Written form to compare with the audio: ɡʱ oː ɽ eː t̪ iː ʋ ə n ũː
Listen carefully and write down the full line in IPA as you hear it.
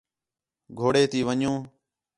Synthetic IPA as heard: ɡʱ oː ɽ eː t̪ iː ʋ ə ɲ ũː